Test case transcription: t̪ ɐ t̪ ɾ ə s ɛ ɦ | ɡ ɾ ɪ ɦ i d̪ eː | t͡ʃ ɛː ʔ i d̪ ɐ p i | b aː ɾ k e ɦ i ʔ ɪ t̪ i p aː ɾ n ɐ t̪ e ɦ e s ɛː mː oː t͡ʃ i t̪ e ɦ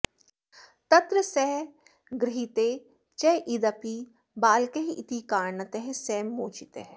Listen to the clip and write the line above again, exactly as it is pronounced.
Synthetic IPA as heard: t̪ ɐ t̪ ɾ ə s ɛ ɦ | ɡ ɾ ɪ ɦ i t̪ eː | t͡ʃ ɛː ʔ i d̪ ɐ p i | b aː l k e ɦ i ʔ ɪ t̪ i k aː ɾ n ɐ t̪ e ɦ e s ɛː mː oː t͡ʃ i t̪ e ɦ